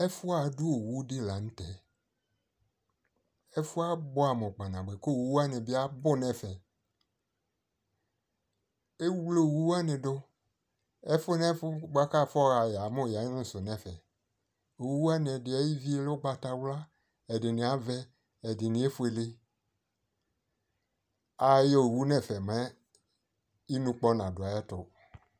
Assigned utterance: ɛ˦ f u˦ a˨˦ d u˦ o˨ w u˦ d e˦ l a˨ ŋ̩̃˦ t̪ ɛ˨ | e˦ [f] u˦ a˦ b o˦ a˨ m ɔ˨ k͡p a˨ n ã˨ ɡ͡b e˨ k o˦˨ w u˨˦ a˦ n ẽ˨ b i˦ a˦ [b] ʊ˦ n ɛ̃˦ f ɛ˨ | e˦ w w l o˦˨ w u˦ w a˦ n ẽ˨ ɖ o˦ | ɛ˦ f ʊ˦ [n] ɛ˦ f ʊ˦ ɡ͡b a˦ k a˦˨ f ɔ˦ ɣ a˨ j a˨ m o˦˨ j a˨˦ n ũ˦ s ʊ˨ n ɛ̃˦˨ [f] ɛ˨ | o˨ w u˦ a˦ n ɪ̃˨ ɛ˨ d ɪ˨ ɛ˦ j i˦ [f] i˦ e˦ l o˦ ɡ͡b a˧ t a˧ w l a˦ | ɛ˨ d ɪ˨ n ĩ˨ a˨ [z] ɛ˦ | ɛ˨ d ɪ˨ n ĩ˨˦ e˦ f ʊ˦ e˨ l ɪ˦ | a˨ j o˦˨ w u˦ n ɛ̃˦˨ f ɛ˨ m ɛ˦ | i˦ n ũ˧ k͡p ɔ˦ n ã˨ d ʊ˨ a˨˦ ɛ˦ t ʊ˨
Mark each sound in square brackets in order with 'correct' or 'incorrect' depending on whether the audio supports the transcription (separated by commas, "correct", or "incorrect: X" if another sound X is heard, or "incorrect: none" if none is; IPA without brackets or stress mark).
correct, correct, correct, correct, incorrect: v, incorrect: v